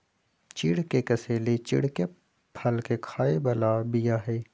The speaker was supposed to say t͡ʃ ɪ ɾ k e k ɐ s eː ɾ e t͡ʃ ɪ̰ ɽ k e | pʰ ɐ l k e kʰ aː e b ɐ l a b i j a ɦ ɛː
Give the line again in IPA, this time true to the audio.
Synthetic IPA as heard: t͡ʃ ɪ ɽ k e k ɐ s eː l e t͡ʃ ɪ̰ ɽ k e | pʰ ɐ l k e kʰ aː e b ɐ l a b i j a ɦ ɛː